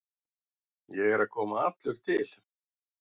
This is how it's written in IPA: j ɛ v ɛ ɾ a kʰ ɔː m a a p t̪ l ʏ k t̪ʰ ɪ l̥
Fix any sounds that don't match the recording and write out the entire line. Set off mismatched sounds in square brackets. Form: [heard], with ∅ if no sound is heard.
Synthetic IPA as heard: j ɛ [ɣ] ɛ ɾ a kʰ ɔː m a a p t̪ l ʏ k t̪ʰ ɪ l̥